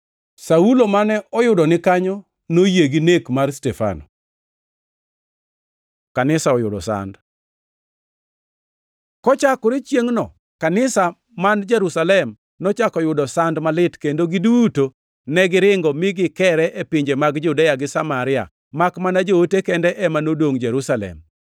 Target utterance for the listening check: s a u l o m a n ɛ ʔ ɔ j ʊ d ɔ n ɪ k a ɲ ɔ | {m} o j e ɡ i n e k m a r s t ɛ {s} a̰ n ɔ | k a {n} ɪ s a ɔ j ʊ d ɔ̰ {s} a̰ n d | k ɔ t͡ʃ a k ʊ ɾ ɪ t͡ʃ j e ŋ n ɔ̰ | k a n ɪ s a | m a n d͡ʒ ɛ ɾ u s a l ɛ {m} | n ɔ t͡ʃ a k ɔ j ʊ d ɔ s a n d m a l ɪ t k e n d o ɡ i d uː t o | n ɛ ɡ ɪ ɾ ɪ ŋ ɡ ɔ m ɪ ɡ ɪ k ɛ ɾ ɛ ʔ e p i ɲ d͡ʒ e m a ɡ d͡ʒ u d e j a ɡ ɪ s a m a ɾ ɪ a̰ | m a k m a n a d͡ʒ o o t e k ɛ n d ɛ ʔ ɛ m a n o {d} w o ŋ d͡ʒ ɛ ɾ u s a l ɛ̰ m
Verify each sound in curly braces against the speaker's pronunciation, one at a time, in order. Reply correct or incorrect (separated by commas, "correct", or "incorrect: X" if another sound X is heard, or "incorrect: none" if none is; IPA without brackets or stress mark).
incorrect: n, incorrect: f, correct, correct, correct, correct